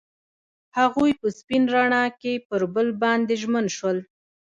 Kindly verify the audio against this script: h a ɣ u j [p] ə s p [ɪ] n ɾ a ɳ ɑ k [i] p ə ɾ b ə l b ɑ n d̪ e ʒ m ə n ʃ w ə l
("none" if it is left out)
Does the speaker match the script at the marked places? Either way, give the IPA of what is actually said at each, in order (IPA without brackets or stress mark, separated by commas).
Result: p, i, e